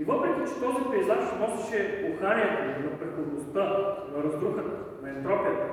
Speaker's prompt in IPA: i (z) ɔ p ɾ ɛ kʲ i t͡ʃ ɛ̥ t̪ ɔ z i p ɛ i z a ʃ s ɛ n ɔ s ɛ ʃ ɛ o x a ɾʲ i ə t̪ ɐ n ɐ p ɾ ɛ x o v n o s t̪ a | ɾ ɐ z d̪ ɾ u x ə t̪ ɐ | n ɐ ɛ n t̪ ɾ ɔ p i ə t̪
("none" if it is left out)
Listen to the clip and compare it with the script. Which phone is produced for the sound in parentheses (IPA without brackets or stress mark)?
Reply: v